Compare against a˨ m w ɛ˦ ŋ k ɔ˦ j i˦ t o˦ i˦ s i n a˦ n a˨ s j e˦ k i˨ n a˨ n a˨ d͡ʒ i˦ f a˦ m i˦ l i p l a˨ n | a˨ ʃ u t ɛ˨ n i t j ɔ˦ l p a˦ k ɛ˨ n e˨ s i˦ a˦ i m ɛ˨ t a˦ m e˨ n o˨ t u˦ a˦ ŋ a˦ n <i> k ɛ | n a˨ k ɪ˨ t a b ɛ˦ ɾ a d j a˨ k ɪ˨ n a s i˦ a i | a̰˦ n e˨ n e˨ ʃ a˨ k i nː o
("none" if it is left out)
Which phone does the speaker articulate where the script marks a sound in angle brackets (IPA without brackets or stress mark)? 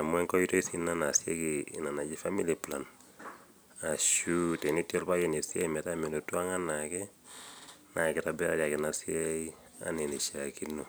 a